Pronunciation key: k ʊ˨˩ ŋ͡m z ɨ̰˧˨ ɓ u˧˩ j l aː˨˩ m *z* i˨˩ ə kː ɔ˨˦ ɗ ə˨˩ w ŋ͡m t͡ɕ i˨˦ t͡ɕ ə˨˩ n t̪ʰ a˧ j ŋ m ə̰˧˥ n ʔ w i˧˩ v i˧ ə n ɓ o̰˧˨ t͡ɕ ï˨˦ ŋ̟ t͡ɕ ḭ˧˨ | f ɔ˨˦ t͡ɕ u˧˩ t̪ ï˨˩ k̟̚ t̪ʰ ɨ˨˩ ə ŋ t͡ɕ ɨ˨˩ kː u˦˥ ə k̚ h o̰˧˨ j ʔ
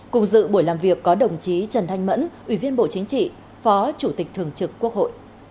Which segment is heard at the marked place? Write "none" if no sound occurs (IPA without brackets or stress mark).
v